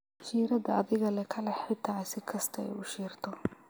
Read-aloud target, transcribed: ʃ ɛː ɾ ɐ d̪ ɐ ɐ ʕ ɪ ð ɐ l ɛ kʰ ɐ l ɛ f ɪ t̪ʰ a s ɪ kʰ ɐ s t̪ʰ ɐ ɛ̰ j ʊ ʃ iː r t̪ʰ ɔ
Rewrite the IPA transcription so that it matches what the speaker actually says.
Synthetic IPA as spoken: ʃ iː ɾ ɐ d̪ ɐ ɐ ð ɪ ɣ ɐ l ɛ kʰ ɐ l ɛ ħ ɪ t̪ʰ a s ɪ kʰ ɐ s t̪ʰ ɐ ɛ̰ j ʊ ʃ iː r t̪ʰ ɔ

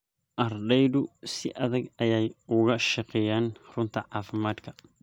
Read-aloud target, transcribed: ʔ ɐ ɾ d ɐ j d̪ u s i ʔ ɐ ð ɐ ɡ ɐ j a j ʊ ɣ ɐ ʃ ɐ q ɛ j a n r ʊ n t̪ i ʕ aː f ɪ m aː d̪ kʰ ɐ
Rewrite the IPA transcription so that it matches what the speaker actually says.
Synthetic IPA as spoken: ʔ ɐ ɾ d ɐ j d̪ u s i ʔ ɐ ð ɐ ɡ ɐ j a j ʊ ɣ ɐ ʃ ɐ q ɛ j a n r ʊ n t̪ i ʕ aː f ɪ m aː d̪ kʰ ɐ

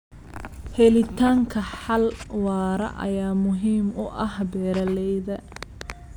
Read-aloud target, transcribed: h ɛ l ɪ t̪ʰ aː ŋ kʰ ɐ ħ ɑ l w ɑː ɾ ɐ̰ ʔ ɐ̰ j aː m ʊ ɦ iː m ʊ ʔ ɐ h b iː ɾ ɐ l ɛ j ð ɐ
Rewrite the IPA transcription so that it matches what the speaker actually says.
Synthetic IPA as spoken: h ɛ l ɪ t̪ʰ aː ŋ kʰ ɐ ħ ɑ l w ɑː ɾ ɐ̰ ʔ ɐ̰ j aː m ʊ ɦ iː m ʊ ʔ ɐ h b ɛː ɾ ɐ l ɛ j ð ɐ

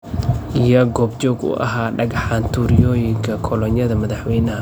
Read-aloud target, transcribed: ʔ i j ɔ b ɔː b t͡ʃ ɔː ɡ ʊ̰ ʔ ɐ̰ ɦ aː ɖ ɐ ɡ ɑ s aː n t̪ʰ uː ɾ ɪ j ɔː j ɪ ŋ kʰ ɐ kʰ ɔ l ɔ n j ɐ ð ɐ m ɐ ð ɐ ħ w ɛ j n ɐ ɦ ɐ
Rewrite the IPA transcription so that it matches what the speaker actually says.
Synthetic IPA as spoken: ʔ i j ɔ ɡ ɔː b t͡ʃ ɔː ɡ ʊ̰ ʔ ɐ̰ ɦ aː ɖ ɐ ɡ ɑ ħ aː n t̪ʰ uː ɾ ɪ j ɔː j ɪ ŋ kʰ ɐ kʰ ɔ l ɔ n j ɐ ð ɐ m ɐ ð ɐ ħ w ɛ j n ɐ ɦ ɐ

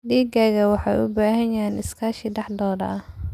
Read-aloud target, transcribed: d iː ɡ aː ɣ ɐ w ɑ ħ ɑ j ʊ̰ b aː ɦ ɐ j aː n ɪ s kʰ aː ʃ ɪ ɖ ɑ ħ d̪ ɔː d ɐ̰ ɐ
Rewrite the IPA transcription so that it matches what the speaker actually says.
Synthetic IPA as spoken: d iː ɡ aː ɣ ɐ w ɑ ħ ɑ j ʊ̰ b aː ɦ ɐ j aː n ɪ s kʰ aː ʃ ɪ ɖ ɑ ħ d̪ ɔː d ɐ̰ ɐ

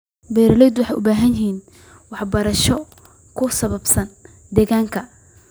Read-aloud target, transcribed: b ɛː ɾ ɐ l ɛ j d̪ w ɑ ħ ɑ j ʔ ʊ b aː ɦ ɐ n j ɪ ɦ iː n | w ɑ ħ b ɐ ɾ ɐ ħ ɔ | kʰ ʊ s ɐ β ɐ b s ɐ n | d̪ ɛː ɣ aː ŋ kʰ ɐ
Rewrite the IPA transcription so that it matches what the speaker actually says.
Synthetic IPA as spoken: b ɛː ɾ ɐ l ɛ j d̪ w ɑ ħ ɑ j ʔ ʊ b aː ɦ ɐ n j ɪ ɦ iː n | w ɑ ħ b ɐ ɾ ɐ ʃ ɔ | kʰ ʊ s ɐ β ɐ b s ɐ n | d̪ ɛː ɣ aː ŋ kʰ ɐ

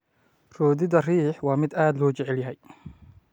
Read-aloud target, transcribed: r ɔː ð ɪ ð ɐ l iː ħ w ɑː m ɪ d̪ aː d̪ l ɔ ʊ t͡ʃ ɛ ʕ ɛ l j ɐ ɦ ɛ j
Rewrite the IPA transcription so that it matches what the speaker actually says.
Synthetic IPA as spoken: r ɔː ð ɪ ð ɐ r iː ħ w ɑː m ɪ d̪ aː d̪ l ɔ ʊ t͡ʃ ɛ ʕ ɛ l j ɐ ɦ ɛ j

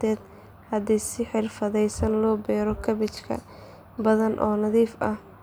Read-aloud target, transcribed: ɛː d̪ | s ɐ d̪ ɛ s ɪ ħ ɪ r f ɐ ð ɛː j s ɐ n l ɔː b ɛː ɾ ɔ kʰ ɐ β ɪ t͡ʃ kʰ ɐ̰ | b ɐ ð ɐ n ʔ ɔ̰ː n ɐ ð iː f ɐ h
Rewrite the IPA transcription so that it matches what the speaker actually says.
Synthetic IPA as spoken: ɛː d̪ | h ɐ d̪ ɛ s ɪ ħ ɪ r f ɐ ð ɛ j s ɐ n l ɔː b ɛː ɾ ɔ kʰ ɐ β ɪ t͡ʃ kʰ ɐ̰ | b ɐ ð ɐ n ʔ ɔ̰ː n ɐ ð iː f ɐ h

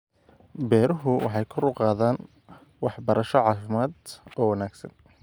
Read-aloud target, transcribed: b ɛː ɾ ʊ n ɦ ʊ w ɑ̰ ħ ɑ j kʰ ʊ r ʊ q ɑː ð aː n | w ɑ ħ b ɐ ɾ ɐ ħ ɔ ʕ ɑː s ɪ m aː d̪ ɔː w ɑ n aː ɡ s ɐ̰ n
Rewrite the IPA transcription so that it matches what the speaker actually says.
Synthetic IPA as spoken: b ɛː ɾ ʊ ɦ ʊ w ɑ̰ ħ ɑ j kʰ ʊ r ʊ q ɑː ð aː n | w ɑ ħ b ɐ ɾ ɐ ʃ ɔ ʕ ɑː f ɪ m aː d̪ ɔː w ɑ n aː ɡ s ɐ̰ n

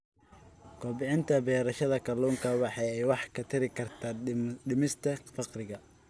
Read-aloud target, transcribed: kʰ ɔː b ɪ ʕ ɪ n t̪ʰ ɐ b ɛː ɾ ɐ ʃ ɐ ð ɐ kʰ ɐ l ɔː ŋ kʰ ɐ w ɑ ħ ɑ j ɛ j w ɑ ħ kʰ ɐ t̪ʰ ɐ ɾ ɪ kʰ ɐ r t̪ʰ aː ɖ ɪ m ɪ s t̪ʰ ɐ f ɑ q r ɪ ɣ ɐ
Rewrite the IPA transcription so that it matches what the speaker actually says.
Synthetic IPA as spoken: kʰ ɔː b ɪ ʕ ɪ n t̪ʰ ɐ b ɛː ɾ ɐ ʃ ɐ ð ɐ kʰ ɐ l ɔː ŋ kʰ ɐ w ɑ ħ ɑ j ɛ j w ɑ ħ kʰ ɐ t̪ʰ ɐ ɾ ɪ kʰ ɐ r t̪ʰ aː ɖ ɪ m ɪ s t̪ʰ ɐ f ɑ q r ɪ ɣ ɐ

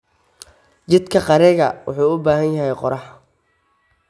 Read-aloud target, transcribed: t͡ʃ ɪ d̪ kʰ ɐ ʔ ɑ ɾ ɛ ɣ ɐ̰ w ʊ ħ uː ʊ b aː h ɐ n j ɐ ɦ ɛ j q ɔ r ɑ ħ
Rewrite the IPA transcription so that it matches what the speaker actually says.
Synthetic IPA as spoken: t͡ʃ ɪ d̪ kʰ ɐ q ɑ ɾ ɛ ɣ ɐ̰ w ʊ ħ uː ʊ b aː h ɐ n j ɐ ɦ ɛ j q ɔ ɾ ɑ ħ

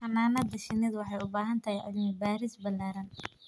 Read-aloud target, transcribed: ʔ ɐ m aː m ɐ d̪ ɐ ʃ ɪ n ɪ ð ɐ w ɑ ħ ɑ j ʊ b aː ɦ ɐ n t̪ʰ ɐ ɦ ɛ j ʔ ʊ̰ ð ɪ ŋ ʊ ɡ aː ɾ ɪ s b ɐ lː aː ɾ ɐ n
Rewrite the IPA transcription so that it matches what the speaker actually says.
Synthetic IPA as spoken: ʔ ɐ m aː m ɐ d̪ ɐ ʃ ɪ n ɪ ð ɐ w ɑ ħ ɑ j ʊ b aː ɦ ɐ n t̪ʰ ɐ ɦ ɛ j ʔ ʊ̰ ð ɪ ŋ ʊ b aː ɾ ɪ s b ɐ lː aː ɾ ɐ n

